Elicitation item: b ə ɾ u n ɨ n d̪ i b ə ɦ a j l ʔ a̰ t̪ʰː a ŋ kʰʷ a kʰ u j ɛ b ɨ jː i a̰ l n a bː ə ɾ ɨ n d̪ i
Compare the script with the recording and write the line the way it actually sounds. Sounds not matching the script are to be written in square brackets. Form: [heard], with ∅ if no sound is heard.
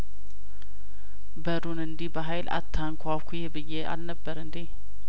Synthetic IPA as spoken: b ə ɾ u n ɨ n d̪ i b ə ɦ a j l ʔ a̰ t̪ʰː a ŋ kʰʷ a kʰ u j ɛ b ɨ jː [e] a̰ l n [ə] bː ə ɾ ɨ n d̪ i